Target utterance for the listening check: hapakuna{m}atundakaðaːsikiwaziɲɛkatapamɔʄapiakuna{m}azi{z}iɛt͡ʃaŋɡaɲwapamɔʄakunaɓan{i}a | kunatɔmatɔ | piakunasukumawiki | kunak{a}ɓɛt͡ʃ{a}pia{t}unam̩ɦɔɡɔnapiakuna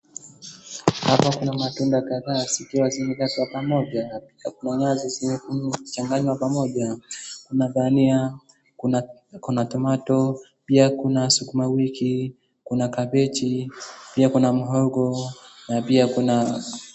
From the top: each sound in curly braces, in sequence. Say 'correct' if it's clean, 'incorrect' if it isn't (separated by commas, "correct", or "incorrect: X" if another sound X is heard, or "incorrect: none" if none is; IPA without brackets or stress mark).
correct, incorrect: ɲ, correct, correct, correct, incorrect: i, incorrect: k